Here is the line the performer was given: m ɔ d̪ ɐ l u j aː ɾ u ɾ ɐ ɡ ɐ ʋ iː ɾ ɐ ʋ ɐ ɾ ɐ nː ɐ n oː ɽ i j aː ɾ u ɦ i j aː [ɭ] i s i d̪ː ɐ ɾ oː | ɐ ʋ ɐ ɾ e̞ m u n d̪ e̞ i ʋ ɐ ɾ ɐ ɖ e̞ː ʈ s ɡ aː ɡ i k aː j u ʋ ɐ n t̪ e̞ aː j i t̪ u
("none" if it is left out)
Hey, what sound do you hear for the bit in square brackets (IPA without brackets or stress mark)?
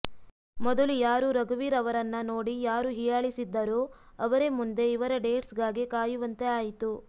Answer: ɭ